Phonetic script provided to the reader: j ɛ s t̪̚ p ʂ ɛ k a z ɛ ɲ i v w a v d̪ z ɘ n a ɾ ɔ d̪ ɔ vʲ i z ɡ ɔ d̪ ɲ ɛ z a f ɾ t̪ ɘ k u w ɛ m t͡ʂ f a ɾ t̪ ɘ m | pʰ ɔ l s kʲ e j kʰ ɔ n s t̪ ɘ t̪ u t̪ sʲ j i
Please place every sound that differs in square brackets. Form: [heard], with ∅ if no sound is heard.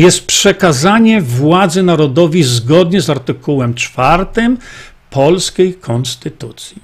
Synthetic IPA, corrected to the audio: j ɛ s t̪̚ p ʂ ɛ k a z [a] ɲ [ɛ] v w a [∅] d̪ z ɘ n a ɾ ɔ d̪ ɔ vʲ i z ɡ ɔ d̪ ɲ ɛ z a [∅] ɾ t̪ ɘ k u w ɛ m t͡ʂ f a ɾ t̪ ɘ m | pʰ ɔ l s kʲ e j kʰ ɔ n s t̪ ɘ t̪ u t̪ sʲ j i